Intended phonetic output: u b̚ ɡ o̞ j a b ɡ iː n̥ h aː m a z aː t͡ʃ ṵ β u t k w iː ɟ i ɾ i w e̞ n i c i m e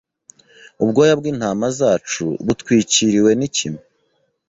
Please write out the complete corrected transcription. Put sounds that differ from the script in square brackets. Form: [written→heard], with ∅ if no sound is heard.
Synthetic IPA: u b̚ ɡ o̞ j a b ɡ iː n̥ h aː m a z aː t͡ʃ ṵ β u t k w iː [ɟ→c] i ɾ i w e̞ n i c i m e